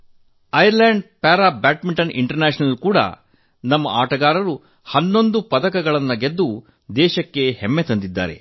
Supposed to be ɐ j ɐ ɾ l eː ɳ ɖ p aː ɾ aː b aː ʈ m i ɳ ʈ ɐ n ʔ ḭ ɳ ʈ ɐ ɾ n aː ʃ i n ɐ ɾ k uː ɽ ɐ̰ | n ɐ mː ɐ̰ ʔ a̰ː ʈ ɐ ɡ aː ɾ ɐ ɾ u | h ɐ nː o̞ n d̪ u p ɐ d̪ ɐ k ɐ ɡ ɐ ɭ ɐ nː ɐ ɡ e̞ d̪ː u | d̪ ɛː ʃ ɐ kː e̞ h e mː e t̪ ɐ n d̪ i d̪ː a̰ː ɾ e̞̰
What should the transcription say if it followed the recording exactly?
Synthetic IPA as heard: ɐ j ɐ ɾ l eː ɳ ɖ p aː ɾ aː b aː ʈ m i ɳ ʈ ɐ n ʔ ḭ ɳ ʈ ɐ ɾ n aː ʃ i n ɐ l k uː ɽ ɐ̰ | n ɐ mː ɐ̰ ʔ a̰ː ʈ ɐ ɡ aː ɾ ɐ ɾ u | h ɐ nː o̞ n d̪ u p ɐ d̪ ɐ k ɐ ɡ ɐ ɭ ɐ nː ɐ ɡ e̞ d̪ː u | d̪ ɛː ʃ ɐ kː e̞ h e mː e t̪ ɐ n d̪ i d̪ː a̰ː ɾ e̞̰